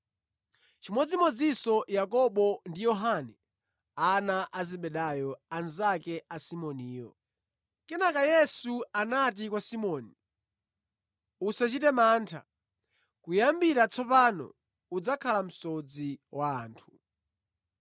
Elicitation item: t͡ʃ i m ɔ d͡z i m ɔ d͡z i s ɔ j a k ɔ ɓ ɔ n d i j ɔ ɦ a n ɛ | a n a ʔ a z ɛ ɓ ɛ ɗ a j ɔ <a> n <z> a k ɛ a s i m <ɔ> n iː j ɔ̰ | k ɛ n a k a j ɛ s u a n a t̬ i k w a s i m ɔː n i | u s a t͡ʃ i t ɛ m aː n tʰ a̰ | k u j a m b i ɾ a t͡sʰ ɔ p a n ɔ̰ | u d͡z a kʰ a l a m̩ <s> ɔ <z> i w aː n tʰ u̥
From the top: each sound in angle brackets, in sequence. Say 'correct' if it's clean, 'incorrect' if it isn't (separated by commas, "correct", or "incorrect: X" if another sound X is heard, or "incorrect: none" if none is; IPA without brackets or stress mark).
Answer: correct, correct, correct, correct, incorrect: d͡z